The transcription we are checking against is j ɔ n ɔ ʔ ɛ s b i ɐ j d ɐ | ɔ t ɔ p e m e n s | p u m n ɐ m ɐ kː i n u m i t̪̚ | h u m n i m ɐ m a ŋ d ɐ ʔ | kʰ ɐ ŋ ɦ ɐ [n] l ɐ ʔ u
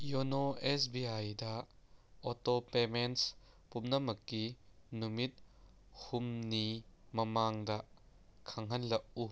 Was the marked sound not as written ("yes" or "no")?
no